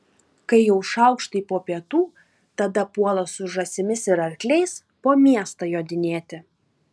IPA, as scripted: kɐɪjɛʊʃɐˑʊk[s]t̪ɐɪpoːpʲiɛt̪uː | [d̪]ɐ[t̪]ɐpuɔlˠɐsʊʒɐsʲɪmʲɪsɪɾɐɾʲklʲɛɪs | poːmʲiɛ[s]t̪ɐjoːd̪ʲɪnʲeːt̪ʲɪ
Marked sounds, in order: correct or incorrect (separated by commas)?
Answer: incorrect, incorrect, incorrect, correct